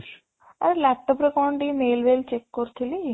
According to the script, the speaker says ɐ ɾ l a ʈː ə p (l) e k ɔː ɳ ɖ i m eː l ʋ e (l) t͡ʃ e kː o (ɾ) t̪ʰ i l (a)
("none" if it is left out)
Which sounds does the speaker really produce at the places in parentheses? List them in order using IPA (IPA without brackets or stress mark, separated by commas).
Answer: ɾ, l, ɾ, i